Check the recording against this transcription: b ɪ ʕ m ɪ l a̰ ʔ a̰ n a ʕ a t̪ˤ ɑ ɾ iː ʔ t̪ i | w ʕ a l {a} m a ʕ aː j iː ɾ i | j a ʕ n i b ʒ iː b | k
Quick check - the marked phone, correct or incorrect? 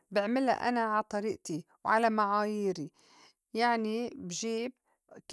correct